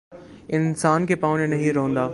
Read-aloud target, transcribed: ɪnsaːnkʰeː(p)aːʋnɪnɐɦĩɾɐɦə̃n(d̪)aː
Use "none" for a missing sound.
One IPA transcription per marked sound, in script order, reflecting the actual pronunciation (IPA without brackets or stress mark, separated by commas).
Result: p, d̪